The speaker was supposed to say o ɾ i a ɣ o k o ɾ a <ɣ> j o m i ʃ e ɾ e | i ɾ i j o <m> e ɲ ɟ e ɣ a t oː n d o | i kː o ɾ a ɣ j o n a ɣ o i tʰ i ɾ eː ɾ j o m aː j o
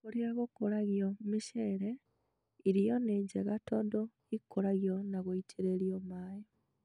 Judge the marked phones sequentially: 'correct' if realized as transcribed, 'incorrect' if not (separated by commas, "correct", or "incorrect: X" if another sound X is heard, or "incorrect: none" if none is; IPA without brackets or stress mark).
correct, incorrect: n